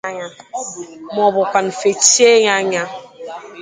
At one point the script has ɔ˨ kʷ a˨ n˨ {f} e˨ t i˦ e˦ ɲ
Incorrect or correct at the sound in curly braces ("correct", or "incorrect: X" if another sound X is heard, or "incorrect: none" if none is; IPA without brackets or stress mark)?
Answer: correct